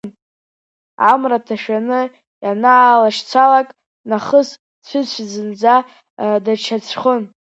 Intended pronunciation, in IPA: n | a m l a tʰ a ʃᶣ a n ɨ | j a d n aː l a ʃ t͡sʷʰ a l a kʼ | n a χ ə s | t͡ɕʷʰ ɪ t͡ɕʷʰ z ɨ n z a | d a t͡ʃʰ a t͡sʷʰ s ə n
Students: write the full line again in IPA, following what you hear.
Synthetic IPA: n | a m r a tʰ a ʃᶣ a n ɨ | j a n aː l a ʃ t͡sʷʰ a l a kʼ | n a χ ə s | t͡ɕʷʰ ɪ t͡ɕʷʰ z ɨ n d͡z a | d a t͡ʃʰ a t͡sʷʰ χ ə n